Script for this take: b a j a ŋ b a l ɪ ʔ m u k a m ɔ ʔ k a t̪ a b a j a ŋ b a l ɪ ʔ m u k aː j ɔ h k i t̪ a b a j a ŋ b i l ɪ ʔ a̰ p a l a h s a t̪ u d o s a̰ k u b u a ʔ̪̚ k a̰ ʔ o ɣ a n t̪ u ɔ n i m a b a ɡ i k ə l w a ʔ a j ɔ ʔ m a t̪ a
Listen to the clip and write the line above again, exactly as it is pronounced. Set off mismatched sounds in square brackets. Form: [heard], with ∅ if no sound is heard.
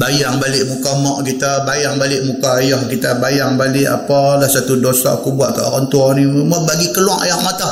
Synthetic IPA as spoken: b a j a ŋ b a l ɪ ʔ m u k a m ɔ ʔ k [i] t̪ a b a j a ŋ b a l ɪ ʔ m u k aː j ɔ h k i t̪ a b a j a ŋ b [a] l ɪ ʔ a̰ p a l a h s a t̪ u d o s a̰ k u b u a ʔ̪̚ k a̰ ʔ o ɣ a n t̪ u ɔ n i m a b a ɡ i k ə l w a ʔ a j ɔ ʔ m a t̪ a